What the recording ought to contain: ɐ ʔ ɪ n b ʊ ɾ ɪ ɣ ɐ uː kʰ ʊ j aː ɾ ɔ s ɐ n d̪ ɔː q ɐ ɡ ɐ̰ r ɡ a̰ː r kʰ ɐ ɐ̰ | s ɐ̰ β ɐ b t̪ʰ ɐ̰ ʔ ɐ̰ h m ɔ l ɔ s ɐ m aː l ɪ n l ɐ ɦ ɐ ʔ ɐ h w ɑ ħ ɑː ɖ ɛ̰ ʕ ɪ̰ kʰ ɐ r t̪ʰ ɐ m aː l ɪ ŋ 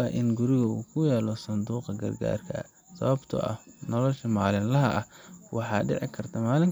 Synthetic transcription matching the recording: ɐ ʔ ɪ n ɡ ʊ ɾ ɪ ɣ ɐ uː kʰ ʊ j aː l ɔ s ɐ n d̪ uː q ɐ ɡ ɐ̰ r ɡ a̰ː r kʰ ɐ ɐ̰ | s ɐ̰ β ɐ b t̪ʰ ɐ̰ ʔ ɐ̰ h n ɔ l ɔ ʃ ɐ m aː l ɪ n l ɐ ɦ ɐ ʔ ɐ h w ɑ ħ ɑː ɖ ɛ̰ ʕ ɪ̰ kʰ ɐ r t̪ʰ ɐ m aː l ɪ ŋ